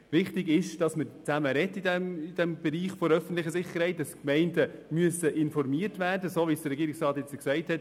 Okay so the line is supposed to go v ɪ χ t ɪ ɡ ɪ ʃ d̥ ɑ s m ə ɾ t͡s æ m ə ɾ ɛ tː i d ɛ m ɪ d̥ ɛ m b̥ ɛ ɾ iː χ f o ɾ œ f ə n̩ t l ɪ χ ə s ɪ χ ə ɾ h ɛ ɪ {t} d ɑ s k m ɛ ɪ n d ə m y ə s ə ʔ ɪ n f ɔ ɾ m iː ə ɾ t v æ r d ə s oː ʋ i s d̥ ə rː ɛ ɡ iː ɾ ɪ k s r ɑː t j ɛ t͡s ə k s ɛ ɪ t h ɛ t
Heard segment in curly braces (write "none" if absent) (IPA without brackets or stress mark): t